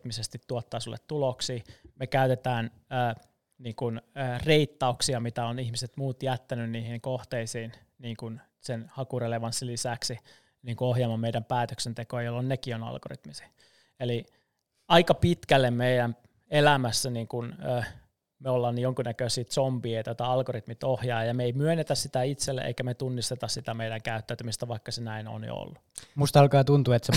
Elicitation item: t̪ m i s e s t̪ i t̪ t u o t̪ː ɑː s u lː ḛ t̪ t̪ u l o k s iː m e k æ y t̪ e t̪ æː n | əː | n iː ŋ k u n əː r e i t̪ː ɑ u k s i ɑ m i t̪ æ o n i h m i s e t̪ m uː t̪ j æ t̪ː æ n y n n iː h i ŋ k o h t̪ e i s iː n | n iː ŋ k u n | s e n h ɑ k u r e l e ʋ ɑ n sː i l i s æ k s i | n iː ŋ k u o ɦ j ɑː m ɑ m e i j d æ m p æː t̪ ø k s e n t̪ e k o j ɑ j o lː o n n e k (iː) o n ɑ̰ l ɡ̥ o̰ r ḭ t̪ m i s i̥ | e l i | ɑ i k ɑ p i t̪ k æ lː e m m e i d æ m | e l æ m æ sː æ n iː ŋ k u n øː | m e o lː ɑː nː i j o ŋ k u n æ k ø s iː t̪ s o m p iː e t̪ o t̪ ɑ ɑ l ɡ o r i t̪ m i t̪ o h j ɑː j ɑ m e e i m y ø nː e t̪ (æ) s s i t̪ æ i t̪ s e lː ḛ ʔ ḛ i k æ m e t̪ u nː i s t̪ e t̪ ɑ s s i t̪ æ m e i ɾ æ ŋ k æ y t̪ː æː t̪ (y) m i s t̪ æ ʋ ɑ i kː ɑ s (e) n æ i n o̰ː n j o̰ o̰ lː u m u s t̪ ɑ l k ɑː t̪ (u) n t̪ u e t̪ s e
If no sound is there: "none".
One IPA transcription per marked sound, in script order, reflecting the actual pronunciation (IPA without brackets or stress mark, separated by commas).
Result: i, æ, y, e, u